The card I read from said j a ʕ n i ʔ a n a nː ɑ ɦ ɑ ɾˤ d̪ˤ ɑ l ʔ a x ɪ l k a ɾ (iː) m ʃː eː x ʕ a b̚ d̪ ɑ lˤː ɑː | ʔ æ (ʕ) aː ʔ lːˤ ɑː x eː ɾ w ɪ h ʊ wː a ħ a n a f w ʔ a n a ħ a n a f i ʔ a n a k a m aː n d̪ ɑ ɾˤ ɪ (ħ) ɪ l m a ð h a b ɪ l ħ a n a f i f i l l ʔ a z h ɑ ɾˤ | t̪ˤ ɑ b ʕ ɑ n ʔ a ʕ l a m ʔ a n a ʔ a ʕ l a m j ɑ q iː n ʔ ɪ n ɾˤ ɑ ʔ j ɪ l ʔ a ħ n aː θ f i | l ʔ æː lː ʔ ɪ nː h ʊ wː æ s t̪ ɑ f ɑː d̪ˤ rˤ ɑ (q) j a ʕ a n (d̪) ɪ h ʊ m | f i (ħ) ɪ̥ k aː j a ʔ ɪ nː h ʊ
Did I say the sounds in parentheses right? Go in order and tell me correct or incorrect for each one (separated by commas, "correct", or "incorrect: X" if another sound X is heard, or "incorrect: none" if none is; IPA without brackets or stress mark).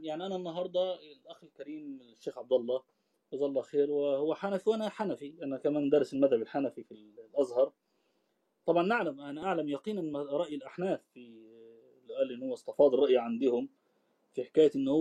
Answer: correct, incorrect: z, incorrect: s, incorrect: ʔ, correct, correct